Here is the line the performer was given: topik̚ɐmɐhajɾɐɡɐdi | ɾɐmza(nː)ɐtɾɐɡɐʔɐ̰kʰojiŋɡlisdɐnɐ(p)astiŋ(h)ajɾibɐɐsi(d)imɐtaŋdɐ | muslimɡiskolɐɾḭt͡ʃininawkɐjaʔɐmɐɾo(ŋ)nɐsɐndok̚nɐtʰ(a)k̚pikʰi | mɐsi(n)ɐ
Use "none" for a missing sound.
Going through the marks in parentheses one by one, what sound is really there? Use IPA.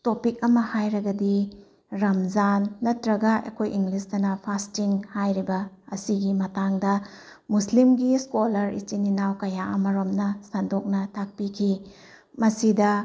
nː, pʰ, h, ɡ, m, a, d

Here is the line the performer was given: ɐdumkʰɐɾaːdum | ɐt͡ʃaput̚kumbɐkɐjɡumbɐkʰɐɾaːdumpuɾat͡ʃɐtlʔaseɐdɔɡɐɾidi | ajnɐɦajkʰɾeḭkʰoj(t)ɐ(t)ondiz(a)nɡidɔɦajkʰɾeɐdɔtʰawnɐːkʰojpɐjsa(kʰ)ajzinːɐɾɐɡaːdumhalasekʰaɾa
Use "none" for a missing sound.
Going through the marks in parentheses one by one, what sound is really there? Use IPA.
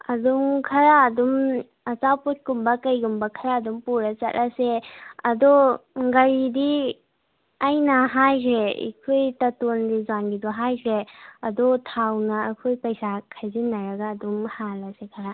t, t, a, kʰ

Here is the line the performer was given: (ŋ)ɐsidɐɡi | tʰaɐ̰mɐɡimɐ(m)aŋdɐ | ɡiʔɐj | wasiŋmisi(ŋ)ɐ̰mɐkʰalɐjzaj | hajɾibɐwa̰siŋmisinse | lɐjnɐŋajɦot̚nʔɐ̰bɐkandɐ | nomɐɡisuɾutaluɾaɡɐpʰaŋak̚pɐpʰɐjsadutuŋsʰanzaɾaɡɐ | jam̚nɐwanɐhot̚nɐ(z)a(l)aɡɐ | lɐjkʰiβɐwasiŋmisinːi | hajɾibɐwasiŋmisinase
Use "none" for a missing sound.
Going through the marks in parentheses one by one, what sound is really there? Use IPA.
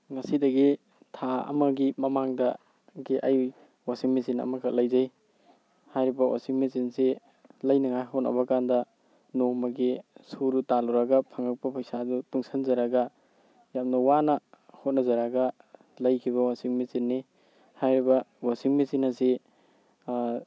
ŋ, m, n, z, ɾ

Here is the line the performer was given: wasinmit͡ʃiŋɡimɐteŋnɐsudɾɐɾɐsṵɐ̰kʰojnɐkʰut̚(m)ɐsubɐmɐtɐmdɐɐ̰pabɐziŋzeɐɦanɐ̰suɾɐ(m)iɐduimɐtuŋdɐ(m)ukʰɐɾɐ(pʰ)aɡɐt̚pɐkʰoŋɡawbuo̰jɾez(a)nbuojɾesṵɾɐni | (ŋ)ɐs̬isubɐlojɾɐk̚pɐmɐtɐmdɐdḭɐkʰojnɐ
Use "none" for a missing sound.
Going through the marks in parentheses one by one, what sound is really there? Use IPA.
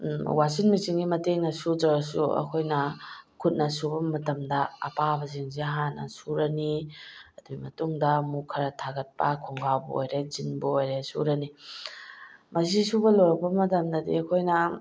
n, n, m, tʰ, i, m

